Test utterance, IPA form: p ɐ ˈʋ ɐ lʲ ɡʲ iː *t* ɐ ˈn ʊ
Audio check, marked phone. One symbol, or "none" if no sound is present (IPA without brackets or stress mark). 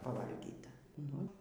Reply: t